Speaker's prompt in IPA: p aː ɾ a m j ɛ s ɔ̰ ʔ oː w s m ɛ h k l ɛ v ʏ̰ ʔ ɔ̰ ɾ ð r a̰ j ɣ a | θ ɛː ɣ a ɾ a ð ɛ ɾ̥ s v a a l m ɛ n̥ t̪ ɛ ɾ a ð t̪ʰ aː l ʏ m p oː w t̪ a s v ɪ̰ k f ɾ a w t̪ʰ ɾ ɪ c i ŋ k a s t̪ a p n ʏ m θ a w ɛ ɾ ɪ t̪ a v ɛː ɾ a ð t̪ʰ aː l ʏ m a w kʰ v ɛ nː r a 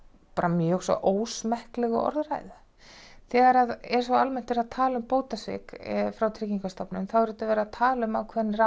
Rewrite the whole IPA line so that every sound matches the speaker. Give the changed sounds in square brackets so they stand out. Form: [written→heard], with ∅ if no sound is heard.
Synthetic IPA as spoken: p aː ɾ a m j [ɛ→œ] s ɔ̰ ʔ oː w s m ɛ h k l ɛ [v→ɣ] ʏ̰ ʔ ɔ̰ ɾ ð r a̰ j [ɣ→ð] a | θ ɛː ɣ a ɾ a ð ɛ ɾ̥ s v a a l m ɛ n̥ t̪ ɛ ɾ a ð t̪ʰ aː l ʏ m p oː w t̪ a s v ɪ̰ k f ɾ a w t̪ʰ ɾ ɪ c i ŋ k a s t̪ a p n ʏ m θ a w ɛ ɾ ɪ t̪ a v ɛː ɾ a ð t̪ʰ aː l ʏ m a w kʰ v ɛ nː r a